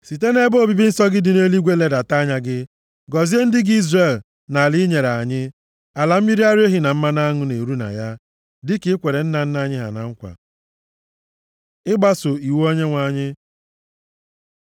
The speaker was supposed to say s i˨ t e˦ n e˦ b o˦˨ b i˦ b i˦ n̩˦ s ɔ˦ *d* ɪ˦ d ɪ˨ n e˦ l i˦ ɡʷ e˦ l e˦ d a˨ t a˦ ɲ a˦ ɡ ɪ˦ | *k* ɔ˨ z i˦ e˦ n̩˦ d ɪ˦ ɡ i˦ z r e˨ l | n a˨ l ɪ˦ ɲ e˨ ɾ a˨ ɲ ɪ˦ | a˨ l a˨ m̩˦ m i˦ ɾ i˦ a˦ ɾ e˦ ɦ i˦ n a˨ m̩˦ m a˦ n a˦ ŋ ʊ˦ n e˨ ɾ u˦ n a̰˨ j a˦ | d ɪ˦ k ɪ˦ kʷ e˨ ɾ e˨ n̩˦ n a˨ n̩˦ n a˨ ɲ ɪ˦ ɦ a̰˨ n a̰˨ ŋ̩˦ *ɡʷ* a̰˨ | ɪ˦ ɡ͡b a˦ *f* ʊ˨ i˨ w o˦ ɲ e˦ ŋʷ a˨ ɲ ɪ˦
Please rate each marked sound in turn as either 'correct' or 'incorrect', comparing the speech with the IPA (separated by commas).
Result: incorrect, incorrect, incorrect, incorrect